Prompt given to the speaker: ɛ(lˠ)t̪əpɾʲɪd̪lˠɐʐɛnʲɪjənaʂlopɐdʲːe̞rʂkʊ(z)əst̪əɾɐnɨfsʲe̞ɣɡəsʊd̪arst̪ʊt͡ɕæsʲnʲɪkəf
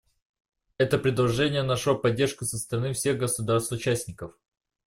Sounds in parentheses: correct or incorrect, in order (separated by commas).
incorrect, incorrect